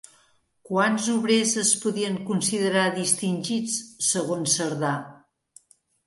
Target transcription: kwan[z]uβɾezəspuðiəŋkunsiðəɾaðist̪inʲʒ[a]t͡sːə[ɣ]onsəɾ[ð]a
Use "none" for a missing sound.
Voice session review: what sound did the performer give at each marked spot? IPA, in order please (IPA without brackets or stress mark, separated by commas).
z, i, ɣ, ð